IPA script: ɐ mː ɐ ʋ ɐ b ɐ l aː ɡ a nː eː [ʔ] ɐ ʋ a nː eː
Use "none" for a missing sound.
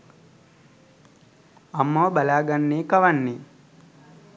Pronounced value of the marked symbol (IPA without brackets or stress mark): k